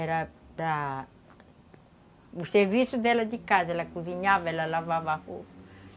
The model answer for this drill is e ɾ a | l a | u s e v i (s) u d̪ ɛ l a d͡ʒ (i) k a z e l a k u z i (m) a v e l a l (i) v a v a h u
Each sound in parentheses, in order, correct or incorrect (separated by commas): correct, correct, incorrect, incorrect